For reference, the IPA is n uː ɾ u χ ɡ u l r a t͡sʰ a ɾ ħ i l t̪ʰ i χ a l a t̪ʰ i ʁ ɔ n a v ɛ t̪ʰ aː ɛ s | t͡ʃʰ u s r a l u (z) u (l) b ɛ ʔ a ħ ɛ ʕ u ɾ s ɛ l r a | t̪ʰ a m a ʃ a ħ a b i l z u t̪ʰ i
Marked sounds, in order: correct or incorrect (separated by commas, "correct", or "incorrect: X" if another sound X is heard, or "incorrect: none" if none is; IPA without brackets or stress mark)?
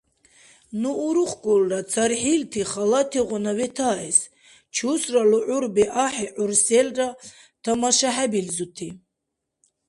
incorrect: ʕ, incorrect: ɾ